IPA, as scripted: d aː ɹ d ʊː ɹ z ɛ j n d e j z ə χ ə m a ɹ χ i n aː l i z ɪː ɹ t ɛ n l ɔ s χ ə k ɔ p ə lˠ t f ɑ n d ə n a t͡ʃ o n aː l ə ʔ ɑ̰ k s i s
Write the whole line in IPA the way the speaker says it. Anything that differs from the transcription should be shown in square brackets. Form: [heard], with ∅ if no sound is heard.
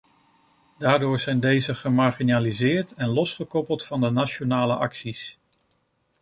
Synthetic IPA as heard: d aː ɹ d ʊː ɹ z ɛ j n d e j z ə χ ə m a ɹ χ i n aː l i z ɪː ɹ t ɛ n l ɔ s χ ə k ɔ p ə lˠ t f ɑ n d ə n a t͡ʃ o n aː l ə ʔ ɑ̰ k s i s

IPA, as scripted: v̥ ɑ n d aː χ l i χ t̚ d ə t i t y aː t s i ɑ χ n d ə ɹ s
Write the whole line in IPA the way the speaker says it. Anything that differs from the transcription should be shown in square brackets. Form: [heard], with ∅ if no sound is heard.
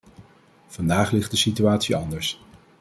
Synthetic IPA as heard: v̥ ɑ n d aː χ l [ɪ] χ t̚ d ə [s] i t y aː t s i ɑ [∅] n d ə ɹ s

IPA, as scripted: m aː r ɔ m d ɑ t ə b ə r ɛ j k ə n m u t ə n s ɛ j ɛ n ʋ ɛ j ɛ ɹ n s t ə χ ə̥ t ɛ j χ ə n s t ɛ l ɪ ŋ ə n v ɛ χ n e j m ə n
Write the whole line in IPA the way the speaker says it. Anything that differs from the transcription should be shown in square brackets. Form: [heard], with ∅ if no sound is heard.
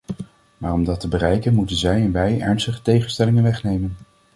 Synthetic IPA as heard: m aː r ɔ m d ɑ t ə b ə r ɛ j k ə n m u t ə n [z] ɛ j ɛ n ʋ ɛ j ɛ ɹ n s t ə χ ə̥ t [e] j χ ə n s t ɛ l ɪ ŋ ə n [ʋ] ɛ χ n e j m ə n

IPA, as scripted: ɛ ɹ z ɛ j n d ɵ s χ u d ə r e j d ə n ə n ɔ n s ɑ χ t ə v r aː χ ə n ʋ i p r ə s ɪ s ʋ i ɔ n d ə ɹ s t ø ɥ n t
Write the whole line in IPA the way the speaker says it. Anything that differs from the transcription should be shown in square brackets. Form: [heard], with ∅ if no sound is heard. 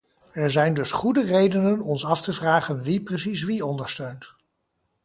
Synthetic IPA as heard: ɛ ɹ z ɛ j n d ɵ s χ u d ə r e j d ə n ə n ɔ n s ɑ [f] t ə v r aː χ ə n ʋ i p r ə s [i] s ʋ i ɔ n d ə ɹ s t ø ɥ n t

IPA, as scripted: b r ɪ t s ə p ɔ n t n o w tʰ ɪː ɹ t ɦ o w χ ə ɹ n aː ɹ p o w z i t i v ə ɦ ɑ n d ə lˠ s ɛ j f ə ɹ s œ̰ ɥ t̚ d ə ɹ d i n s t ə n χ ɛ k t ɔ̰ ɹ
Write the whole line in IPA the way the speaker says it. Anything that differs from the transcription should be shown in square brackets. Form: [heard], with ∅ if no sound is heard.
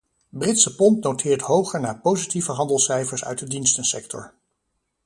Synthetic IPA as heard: b r ɪ t s ə p ɔ n t n o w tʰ ɪː ɹ t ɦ o w χ ə ɹ n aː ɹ p o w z i t i v ə ɦ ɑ n d ə lˠ s ɛ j f ə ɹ s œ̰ ɥ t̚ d ə [∅] d i n s t ə n [s] ɛ k t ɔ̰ ɹ

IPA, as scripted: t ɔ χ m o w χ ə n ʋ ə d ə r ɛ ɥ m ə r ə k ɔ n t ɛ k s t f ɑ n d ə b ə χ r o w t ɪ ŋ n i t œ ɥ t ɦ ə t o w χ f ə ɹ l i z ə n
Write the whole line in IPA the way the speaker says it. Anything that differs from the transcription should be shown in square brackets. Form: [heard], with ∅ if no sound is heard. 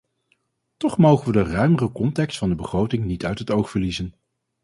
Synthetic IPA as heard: t ɔ χ m o w χ ə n ʋ ə d ə r [œ] ɥ m ə r ə k ɔ n t ɛ k s t f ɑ n d ə b ə χ r o w t ɪ ŋ n i t œ ɥ t ɦ ə t o w χ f ə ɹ l i z ə n

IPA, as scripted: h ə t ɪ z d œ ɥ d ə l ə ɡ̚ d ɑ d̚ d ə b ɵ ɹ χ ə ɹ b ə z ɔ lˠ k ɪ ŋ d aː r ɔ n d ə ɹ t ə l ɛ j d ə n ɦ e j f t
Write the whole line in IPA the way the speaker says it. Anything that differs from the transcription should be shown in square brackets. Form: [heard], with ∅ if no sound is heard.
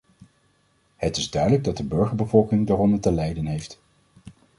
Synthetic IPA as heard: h ə t ɪ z d œ ɥ d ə l ə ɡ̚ d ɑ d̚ d ə b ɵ ɹ χ ə ɹ b ə [v] ɔ lˠ k ɪ ŋ d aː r ɔ n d ə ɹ t ə l ɛ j d ə n ɦ e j f t

